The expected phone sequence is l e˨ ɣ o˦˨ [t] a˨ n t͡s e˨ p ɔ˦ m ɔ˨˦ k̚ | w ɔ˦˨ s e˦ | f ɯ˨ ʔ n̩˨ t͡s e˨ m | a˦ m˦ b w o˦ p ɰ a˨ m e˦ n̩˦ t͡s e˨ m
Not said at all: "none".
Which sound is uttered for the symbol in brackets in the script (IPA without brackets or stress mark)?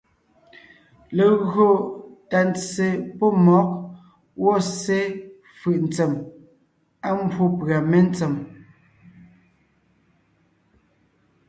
t